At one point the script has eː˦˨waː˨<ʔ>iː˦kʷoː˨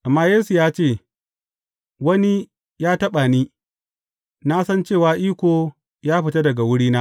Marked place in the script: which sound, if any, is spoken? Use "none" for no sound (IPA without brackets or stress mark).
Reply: ʔ